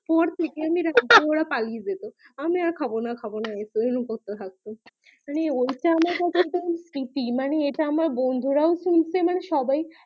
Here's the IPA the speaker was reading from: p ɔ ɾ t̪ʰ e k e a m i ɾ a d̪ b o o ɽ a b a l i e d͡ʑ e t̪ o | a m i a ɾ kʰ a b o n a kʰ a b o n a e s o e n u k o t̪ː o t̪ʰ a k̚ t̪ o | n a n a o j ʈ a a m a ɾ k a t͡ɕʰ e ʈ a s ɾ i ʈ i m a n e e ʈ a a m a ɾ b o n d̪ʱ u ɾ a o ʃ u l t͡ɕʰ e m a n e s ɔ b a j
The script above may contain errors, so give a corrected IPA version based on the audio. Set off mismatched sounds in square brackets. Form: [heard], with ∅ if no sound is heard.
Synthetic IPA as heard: p ɔ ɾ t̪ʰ e k e a m i ɾ a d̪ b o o ɽ a [p] a l i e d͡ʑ e t̪ o | a m i a ɾ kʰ a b o n a kʰ a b o n a e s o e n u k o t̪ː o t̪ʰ a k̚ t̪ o | [m] a n [e] o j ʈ a a m a ɾ k a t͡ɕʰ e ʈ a s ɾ i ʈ i m a n e e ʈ a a m a ɾ b o n d̪ʱ u ɾ a o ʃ u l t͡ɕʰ e m a n e [ʃ] ɔ b a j